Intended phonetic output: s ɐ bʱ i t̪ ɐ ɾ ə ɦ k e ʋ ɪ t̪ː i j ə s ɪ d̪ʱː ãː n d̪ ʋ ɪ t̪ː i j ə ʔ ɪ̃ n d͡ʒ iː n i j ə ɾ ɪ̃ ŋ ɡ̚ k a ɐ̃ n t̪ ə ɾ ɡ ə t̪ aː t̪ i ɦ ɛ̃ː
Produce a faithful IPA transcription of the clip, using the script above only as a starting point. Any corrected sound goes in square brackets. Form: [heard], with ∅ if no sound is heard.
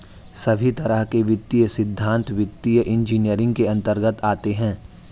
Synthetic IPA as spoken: s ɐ bʱ i t̪ ɐ ɾ ə ɦ k e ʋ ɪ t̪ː i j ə s ɪ d̪ʱː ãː n [t̪] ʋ ɪ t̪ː i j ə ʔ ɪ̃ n d͡ʒ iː n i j ə ɾ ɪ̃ ŋ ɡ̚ k [e] ɐ̃ n t̪ ə ɾ ɡ ə t̪ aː t̪ [e] ɦ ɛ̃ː